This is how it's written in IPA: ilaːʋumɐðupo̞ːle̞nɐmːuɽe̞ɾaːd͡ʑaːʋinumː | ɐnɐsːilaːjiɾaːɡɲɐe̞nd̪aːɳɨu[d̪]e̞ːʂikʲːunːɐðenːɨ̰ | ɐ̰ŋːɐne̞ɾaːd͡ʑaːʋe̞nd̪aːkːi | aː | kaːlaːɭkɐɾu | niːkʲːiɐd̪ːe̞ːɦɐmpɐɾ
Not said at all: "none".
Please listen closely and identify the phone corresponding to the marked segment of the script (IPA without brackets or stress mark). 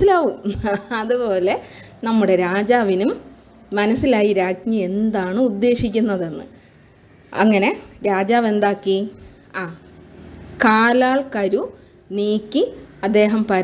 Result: d̪ː